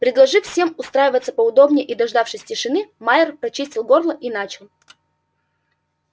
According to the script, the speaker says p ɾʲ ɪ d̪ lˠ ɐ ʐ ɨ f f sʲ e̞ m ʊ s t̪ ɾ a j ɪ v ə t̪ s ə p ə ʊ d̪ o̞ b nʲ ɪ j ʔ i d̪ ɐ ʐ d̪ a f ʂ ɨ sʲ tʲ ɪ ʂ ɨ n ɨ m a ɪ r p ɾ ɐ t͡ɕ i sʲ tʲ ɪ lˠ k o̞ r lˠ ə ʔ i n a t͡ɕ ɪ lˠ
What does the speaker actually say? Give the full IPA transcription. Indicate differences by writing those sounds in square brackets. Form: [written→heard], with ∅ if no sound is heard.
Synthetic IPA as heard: p ɾʲ ɪ d̪ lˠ ɐ ʐ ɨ f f sʲ e̞ m ʊ s t̪ ɾ a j ɪ v ə t̪ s ə p ə ʊ d̪ o̞ b nʲ ɪ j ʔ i d̪ ɐ ʐ d̪ a f ʂ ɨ sʲ tʲ ɪ ʂ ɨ n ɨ m a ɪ r p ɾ ɐ t͡ɕ i sʲ tʲ ɪ lˠ [k→ɡ] o̞ r lˠ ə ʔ i n a t͡ɕ ɪ lˠ